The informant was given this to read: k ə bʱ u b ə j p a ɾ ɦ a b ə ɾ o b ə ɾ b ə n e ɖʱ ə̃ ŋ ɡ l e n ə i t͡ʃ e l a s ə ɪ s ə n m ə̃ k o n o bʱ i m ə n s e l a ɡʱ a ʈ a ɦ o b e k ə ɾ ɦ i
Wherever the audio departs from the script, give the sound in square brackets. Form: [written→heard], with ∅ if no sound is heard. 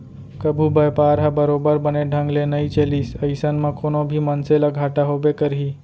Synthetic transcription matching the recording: k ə bʱ u b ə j p a ɾ ɦ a b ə ɾ o b ə ɾ b ə n e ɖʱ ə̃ ŋ ɡ l e n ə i t͡ʃ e l [a→i] s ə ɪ s ə n m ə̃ k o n o bʱ i m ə n s e l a ɡʱ a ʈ a ɦ o b e k ə ɾ ɦ i